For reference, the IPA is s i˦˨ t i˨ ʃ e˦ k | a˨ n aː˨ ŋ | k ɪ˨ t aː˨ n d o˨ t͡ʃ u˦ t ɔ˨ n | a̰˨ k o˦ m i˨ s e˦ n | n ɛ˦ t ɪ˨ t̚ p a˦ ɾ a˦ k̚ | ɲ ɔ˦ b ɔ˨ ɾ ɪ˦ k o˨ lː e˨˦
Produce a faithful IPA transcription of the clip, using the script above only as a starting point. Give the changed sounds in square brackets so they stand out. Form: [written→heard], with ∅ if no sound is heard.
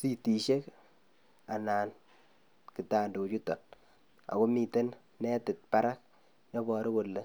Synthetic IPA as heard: s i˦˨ t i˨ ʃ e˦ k | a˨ n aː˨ [ŋ→n] | k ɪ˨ t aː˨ n d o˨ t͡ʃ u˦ t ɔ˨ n | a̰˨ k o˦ m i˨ [s→t] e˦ n | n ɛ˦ t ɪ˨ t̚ p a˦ ɾ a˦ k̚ | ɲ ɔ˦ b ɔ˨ ɾ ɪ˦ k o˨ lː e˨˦